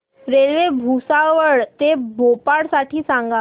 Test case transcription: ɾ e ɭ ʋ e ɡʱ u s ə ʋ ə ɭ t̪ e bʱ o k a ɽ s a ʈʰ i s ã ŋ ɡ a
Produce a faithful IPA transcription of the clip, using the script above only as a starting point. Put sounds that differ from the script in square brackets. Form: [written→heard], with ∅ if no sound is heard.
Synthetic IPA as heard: ɾ e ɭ ʋ e [ɡʱ→bʱ] u s [ə→a] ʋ ə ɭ t̪ e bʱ o [k→p] a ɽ s a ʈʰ [i→iː] s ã ŋ ɡ a